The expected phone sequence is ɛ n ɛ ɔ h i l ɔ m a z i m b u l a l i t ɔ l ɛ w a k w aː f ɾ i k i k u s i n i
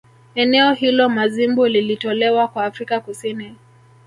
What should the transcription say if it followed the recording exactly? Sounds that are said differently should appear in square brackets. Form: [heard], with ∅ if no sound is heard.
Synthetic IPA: ɛ n ɛ ɔ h i l ɔ m a z i m b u l [i] l i t ɔ l ɛ w a k w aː f ɾ i k [a] k u s i n i